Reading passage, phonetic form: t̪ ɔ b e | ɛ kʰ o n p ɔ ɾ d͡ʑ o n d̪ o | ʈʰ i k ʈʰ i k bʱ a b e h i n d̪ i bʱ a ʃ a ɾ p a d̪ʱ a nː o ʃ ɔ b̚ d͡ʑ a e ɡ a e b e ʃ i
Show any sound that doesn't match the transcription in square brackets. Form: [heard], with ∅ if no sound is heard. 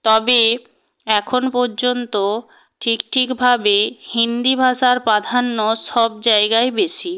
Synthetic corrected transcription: t̪ ɔ b e | ɛ kʰ o n p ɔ ɾ d͡ʑ o n [t̪] o | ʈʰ i k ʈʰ i k bʱ a b e h i n d̪ i bʱ a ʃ a ɾ p a d̪ʱ a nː o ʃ ɔ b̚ d͡ʑ a e ɡ a e b e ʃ i